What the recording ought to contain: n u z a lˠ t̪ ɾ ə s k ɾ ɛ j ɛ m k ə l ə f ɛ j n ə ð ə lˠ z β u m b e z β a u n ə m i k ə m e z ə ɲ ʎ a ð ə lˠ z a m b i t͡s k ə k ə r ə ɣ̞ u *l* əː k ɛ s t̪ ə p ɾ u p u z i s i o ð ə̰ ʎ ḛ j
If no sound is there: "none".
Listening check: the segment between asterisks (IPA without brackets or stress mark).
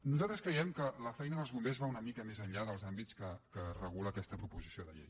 l